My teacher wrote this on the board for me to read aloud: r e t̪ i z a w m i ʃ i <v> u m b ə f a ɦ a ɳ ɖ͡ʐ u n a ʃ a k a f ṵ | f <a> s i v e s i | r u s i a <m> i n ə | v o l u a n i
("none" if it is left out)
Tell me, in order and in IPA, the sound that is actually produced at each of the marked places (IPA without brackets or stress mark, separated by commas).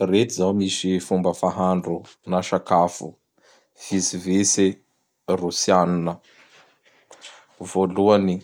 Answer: f, i, n